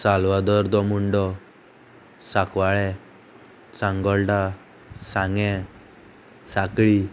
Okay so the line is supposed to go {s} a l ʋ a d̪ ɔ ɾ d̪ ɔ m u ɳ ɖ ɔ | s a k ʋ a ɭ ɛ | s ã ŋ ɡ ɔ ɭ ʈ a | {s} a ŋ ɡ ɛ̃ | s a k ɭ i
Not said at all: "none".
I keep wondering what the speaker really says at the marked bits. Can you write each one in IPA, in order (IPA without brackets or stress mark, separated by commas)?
s, s